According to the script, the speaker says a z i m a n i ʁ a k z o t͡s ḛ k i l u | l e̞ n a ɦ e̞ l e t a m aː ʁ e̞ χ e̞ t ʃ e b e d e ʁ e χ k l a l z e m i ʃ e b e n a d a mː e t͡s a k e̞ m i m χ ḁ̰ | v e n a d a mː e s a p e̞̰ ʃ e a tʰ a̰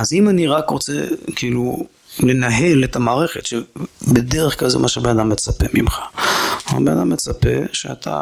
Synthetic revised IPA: a z i m a n i ʁ a k ʁ o t͡s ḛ k i l u | l e̞ n a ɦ e̞ l e t a m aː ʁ e̞ χ e̞ t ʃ e b e d e ʁ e χ k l a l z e m a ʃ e b e n a d a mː e t͡s a p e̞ m i m χ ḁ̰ | b e n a d a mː e t͡s a p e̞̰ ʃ e a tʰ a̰